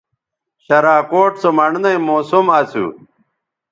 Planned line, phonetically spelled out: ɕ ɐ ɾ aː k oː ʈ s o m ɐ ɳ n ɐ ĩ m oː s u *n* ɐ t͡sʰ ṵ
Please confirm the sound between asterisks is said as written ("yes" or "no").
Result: no